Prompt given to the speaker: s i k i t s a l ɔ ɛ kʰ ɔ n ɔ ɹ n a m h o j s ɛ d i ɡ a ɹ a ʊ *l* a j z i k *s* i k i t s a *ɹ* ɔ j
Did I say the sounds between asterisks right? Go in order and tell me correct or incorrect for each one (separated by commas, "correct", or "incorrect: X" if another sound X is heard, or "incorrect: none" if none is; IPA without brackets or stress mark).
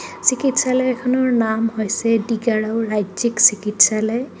incorrect: ɹ, correct, incorrect: l